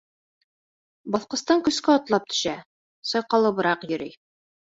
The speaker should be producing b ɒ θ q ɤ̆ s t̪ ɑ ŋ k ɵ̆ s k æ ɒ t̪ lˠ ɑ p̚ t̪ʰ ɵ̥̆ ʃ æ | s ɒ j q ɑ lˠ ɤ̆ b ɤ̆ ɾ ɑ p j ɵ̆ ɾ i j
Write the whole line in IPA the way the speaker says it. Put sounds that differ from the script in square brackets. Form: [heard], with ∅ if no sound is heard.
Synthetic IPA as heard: b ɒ θ q ɤ̆ s t̪ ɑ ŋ k ɵ̆ s k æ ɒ t̪ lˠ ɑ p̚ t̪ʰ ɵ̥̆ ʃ æ | s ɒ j q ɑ lˠ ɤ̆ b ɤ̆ ɾ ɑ [q] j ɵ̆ ɾ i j